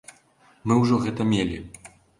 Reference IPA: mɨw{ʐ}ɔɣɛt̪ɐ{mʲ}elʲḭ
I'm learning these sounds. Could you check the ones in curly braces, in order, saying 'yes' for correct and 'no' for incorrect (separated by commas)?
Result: yes, yes